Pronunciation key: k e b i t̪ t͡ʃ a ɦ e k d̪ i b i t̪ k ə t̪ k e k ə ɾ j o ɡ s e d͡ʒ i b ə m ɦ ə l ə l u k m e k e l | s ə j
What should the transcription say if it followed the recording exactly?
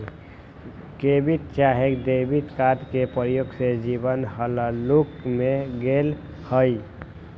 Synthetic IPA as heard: k e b i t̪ t͡ʃ a ɦ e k d̪ e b i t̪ k a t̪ k e p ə ɾ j o ɡ s e d͡ʒ i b ə n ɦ ə l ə l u k m e ɡ e l | h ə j